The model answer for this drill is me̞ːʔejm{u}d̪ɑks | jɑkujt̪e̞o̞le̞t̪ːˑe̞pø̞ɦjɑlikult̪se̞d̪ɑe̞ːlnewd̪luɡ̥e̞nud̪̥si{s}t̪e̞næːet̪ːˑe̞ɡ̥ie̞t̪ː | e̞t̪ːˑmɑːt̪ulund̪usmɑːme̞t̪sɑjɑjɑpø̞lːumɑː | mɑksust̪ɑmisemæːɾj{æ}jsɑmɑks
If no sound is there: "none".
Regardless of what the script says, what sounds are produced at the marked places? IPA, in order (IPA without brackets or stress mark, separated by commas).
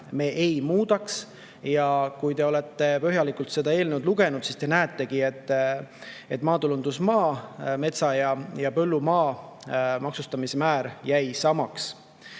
uː, s, æ